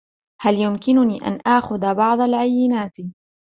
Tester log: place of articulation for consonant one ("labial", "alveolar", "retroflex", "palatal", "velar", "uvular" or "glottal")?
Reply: glottal